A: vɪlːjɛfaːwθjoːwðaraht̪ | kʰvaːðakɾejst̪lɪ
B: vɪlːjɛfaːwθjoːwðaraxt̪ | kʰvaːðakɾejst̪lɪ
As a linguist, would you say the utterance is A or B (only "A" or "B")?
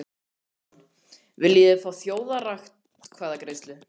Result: B